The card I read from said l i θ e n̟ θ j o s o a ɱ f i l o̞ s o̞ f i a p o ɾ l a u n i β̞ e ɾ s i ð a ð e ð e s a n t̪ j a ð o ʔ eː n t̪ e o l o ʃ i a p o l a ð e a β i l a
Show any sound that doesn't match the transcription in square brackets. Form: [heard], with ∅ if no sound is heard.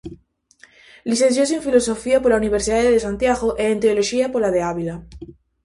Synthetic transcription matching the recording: l i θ e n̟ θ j o s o [e] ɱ f i l o̞ s o̞ f i a p o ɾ l a u n i β̞ e ɾ s i ð a ð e ð e s a n t̪ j a [ɣ] o ʔ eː n t̪ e o l o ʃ i a p o l a ð e a β i l a